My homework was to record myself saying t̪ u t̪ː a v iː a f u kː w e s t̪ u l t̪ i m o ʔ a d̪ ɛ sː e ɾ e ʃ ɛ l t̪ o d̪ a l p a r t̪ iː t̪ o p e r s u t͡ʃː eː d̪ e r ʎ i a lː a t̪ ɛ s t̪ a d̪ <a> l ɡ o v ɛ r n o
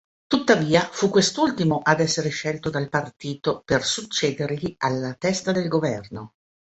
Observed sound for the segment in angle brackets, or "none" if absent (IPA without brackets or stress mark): e